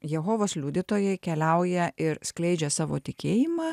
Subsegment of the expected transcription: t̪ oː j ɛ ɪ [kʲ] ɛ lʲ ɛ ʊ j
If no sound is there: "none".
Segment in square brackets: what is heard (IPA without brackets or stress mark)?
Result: kʲ